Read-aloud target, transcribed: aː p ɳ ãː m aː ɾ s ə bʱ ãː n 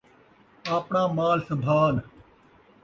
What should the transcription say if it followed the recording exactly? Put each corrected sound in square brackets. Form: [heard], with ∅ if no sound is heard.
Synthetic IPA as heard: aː p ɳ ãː m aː [l] s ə bʱ [aː] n